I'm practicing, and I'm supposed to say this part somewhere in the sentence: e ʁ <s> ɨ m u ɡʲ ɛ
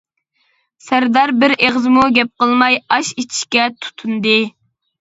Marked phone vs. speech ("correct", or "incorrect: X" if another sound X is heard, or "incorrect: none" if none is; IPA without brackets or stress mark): incorrect: z